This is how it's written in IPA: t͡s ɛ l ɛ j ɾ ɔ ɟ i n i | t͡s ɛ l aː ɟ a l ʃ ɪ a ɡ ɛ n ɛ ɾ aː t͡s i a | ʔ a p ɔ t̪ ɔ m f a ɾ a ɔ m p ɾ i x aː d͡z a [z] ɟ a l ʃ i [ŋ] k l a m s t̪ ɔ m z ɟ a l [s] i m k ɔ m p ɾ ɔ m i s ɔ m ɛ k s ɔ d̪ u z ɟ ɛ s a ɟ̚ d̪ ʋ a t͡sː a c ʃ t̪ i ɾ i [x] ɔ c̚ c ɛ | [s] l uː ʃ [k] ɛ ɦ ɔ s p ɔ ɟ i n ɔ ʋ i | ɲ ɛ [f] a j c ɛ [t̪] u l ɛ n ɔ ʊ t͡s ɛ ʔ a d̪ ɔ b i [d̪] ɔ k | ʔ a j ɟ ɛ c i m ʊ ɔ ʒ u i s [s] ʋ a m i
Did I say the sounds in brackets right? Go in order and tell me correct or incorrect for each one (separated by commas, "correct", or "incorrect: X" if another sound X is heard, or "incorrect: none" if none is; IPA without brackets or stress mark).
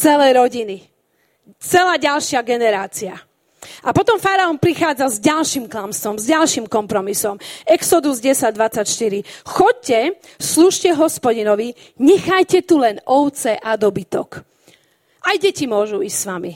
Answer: correct, incorrect: m, incorrect: ʃ, correct, correct, incorrect: c, incorrect: x, correct, incorrect: t̪, correct